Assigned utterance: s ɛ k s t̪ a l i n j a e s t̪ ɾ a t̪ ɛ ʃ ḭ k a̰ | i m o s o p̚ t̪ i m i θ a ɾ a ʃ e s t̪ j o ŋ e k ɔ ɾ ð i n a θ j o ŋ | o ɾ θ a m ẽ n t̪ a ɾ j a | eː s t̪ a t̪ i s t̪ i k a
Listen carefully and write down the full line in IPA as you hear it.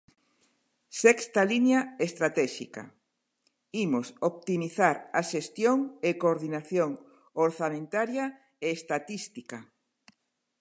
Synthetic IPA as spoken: s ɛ k s t̪ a l i n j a e s t̪ ɾ a t̪ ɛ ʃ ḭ k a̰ | i m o s o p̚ t̪ i m i θ a ɾ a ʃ e s t̪ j o ŋ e k o ɾ ð i n a θ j o ŋ | o ɾ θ a m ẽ n t̪ a ɾ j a | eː s t̪ a t̪ i s t̪ i k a